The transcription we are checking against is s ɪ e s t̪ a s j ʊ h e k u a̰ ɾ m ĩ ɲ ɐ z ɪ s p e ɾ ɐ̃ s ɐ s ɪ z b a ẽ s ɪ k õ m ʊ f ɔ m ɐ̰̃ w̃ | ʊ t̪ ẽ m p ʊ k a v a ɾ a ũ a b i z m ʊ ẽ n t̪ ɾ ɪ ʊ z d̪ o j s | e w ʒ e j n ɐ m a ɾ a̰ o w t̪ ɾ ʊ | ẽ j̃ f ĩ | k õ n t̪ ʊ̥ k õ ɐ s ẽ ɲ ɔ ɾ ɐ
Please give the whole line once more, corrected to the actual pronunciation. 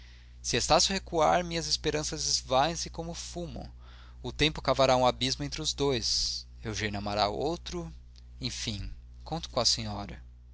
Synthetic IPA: s ɪ e s t̪ a s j ʊ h e k u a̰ ɾ m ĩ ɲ ɐ z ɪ s p e ɾ ɐ̃ s ɐ z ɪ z v a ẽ s ɪ k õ m ʊ f u m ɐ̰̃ w̃ | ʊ t̪ ẽ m p ʊ k a v a ɾ a ũ a b i z m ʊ ẽ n t̪ ɾ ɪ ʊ z d̪ o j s | e w ʒ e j n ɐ m a ɾ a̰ o w t̪ ɾ ʊ | ẽ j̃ f ĩ | k õ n t̪ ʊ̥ k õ ɐ s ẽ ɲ ɔ ɾ ɐ